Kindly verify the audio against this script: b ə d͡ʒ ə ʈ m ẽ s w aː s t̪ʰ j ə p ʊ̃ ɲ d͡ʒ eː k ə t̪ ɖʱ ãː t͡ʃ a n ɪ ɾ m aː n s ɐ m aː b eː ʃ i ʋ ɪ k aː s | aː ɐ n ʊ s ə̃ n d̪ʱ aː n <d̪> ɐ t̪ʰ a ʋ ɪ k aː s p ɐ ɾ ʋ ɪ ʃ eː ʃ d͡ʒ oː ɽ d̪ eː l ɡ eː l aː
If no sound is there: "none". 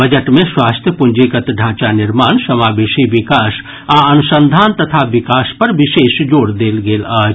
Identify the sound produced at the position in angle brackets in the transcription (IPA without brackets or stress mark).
t̪